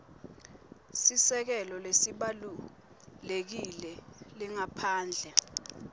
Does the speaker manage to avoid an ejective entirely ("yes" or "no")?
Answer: yes